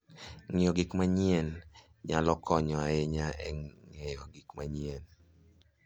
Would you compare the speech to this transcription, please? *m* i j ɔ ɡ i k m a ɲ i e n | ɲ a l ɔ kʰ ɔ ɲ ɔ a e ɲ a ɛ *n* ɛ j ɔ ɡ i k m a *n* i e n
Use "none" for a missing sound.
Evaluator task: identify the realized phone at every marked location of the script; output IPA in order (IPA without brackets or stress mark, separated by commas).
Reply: ŋ, ŋ, ɲ